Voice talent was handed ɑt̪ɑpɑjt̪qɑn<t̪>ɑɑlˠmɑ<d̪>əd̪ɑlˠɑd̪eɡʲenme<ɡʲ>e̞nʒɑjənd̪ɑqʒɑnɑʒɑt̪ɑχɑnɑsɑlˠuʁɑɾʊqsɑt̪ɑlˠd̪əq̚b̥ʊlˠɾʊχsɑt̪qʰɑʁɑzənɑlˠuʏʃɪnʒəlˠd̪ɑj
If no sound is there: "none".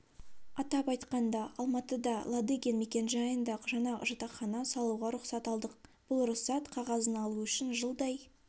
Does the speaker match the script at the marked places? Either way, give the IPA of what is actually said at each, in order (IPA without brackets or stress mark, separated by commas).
d̪, t̪, kʲ